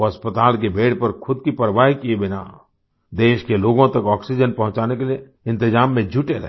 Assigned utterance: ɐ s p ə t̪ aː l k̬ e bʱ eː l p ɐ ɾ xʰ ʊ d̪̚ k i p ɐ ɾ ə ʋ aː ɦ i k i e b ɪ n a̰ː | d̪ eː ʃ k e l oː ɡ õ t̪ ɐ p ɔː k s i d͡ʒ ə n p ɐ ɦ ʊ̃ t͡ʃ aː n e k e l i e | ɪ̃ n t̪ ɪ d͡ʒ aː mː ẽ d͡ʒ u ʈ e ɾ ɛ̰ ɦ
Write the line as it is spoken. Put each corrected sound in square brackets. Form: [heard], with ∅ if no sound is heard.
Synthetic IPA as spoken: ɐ s p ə t̪ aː l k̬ e bʱ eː [ɽ] p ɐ ɾ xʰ ʊ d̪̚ k i p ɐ ɾ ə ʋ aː ɦ i k i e b ɪ n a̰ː | d̪ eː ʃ k e l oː ɡ õ t̪ ɐ [k] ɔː k s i d͡ʒ ə n p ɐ ɦ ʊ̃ t͡ʃ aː n e k e l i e | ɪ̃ n t̪ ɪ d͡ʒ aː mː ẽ d͡ʒ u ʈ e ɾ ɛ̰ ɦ